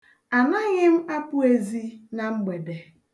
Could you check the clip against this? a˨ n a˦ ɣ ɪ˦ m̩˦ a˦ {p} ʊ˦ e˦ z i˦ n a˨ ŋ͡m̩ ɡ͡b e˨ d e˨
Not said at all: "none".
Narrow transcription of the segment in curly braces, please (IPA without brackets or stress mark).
p